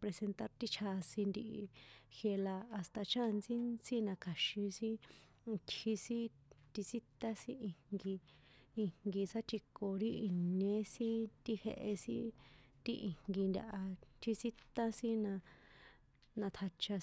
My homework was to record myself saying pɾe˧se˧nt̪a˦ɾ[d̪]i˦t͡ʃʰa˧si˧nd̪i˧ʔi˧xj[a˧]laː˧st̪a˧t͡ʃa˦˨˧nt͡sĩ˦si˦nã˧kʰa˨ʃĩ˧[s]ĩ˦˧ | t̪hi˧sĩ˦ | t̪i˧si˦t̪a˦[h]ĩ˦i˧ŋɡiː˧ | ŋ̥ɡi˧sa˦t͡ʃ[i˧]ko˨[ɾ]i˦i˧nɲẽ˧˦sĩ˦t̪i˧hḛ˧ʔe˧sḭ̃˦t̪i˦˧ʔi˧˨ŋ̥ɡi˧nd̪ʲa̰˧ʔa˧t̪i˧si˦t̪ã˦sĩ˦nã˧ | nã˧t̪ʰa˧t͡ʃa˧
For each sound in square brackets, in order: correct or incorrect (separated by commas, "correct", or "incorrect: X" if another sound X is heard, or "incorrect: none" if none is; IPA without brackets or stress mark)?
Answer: incorrect: t̪, incorrect: e˧, correct, incorrect: s, correct, correct